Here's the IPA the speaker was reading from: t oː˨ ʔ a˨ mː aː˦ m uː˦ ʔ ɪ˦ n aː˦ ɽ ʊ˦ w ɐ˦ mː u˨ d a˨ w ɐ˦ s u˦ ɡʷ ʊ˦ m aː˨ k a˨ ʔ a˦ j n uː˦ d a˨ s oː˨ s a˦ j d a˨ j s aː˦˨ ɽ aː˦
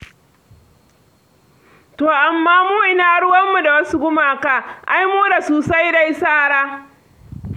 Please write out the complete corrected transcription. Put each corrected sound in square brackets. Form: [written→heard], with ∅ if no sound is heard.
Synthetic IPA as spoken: t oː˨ ʔ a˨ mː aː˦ m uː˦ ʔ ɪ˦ n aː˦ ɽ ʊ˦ w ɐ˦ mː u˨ d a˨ w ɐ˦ s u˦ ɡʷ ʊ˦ m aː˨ k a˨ ʔ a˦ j [n→m] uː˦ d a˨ s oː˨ s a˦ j d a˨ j s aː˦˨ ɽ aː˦